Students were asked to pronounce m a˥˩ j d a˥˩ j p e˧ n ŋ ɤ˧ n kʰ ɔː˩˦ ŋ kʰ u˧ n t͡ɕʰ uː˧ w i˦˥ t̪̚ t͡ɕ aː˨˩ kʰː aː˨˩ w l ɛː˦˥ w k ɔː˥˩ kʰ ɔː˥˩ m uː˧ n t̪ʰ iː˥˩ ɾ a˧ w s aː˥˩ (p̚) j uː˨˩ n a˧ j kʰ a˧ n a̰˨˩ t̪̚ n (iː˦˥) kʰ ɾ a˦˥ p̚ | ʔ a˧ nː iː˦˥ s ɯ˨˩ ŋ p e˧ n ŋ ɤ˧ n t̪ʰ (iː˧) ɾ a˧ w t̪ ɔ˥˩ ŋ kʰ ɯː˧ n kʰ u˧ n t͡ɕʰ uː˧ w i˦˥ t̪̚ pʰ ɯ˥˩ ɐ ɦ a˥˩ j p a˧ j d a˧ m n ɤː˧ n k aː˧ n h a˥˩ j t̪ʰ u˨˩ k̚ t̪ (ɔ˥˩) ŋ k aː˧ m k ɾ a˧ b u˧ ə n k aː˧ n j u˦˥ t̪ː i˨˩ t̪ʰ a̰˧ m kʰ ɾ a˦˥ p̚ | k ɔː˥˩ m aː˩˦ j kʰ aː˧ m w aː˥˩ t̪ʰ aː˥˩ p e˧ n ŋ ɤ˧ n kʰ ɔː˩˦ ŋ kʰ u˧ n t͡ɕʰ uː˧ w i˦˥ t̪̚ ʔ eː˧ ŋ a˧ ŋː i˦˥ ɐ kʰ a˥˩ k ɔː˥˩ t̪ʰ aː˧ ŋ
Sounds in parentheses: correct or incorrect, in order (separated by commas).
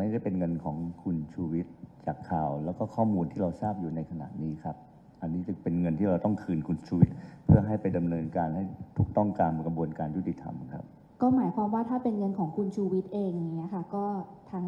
correct, correct, incorrect, correct